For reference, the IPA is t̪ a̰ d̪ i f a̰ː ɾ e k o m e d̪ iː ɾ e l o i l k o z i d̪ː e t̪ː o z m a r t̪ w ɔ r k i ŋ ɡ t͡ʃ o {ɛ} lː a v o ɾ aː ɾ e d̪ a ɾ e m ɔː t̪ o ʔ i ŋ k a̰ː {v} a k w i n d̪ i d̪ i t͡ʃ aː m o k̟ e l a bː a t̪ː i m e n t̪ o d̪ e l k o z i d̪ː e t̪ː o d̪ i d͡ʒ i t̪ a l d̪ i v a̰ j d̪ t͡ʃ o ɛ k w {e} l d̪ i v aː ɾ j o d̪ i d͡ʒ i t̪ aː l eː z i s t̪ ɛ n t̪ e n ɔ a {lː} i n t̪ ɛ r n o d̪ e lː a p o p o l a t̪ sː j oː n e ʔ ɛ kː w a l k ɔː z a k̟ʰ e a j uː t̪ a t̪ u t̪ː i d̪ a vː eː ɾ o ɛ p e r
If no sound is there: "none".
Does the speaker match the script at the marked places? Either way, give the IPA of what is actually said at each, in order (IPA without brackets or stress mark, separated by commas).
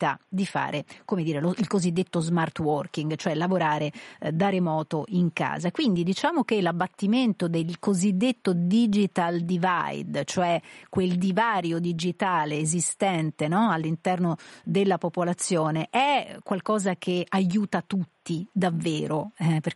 ɛ, z, e, lː